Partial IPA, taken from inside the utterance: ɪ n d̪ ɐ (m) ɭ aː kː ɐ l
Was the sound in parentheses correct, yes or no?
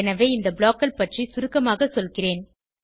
no